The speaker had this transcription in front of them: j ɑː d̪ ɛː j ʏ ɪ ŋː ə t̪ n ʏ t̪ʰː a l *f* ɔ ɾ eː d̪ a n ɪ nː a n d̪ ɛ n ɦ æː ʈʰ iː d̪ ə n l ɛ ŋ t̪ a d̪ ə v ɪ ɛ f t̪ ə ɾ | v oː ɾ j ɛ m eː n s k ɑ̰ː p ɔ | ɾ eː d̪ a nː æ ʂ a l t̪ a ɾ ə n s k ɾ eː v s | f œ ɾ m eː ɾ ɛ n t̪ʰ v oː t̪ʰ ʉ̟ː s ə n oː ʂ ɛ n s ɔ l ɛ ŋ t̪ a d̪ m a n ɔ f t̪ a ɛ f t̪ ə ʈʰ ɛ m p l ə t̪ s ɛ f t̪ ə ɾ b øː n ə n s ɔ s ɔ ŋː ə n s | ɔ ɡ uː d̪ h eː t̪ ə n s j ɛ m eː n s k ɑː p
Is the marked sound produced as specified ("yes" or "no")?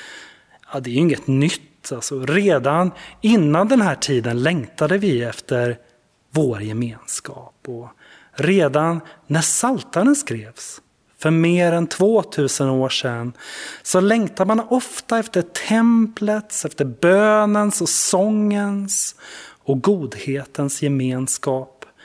no